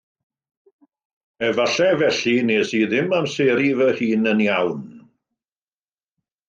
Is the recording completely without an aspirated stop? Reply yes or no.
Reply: yes